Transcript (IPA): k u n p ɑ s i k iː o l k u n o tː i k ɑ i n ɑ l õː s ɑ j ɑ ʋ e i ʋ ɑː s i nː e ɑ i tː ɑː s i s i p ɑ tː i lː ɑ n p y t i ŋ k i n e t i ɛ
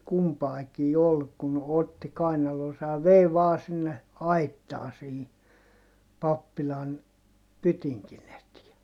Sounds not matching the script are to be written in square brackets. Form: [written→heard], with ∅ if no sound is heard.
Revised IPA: k u [n→m] p ɑ [s→∅] i k iː o l k u n o tː i k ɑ i n ɑ l [õː→oː] s ɑ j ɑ ʋ e i ʋ ɑː s i nː e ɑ i tː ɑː s i [s→h] i p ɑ [tː→pː] i [lː→l] ɑ n p y t i ŋ k i n e t i ɛ